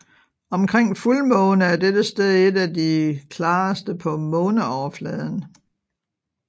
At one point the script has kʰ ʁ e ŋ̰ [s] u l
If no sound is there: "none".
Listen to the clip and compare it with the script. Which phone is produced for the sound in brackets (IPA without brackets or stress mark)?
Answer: f